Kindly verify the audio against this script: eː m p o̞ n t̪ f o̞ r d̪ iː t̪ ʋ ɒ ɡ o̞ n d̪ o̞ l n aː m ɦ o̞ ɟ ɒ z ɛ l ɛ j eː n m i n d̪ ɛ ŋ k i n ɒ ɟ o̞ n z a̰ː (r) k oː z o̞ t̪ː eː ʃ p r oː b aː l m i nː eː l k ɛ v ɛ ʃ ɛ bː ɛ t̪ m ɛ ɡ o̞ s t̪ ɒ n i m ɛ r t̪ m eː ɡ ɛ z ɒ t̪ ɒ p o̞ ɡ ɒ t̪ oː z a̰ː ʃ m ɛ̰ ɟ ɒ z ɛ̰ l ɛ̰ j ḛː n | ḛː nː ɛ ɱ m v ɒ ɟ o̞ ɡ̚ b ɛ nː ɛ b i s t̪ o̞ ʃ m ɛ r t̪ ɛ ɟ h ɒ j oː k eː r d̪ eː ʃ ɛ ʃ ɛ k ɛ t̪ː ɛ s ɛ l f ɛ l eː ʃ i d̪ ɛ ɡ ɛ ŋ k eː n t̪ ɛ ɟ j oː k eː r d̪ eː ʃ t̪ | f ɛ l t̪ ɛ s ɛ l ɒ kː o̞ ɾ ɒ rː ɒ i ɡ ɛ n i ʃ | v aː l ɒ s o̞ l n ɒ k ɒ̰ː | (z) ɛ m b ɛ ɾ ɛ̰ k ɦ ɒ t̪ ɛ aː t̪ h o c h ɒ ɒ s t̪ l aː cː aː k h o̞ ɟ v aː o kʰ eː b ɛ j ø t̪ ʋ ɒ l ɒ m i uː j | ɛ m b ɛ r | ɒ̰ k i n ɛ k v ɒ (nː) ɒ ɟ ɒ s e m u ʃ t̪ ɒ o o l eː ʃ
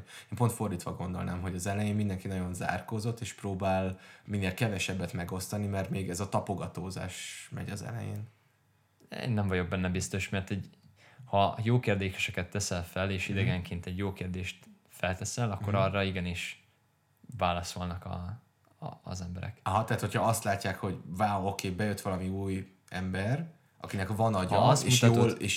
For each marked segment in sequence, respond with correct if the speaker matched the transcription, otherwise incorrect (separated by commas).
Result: correct, correct, incorrect